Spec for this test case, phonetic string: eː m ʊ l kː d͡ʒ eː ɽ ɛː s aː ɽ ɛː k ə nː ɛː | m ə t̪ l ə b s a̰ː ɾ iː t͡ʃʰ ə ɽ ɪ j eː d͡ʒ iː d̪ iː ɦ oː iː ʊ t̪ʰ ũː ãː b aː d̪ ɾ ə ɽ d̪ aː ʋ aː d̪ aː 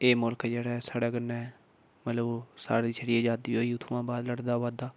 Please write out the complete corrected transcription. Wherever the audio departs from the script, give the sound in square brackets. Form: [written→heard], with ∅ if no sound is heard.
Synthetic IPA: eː m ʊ l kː d͡ʒ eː ɽ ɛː s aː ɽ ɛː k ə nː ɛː | m ə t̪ l ə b s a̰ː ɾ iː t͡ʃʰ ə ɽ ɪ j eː d͡ʒ [iː→aː] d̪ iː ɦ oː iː ʊ t̪ʰ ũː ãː b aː d̪ [ɾ→l] ə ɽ d̪ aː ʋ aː d̪ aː